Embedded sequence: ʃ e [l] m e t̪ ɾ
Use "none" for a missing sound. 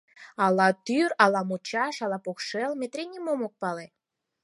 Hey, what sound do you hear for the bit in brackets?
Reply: l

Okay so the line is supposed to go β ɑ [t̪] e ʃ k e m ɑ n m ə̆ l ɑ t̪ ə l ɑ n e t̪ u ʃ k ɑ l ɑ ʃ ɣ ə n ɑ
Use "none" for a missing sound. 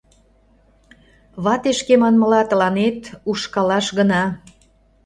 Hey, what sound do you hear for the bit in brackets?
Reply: t̪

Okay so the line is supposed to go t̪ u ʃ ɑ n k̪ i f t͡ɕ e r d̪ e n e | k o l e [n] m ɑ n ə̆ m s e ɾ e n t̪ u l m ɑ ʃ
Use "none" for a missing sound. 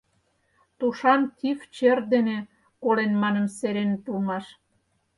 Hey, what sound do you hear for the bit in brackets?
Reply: n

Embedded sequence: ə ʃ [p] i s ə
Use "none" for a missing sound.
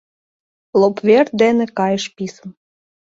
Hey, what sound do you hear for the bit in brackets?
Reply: p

